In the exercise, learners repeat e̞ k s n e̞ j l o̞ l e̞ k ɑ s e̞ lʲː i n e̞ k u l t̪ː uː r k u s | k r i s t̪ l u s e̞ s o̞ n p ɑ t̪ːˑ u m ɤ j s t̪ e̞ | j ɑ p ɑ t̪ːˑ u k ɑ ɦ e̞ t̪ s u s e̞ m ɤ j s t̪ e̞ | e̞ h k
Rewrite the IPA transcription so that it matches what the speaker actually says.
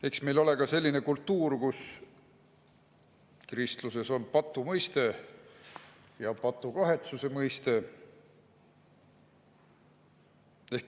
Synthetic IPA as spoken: e̞ k s m e̞ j l o̞ l e̞ k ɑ s e̞ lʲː i n e̞ k u l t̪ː uː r k u s | k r i s t̪ l u s e̞ s o̞ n p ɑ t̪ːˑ u m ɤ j s t̪ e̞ | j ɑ p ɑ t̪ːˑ u k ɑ ɦ e̞ t̪ s u s e̞ m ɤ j s t̪ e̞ | e̞ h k